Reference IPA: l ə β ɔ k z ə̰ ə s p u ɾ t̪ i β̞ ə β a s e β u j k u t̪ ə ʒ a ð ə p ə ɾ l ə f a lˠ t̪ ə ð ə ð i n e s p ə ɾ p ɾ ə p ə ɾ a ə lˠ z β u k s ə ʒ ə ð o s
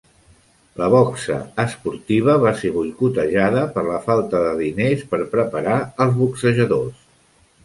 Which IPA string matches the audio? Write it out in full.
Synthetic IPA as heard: l ə β ɔ k s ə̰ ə s p u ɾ t̪ i β̞ ə β a s e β u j k u t̪ ə ʒ a ð ə p ə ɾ l ə f a lˠ t̪ ə ð ə ð i n e s p ə ɾ p ɾ ə p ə ɾ a ə lˠ z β u k s ə ʒ ə ð o s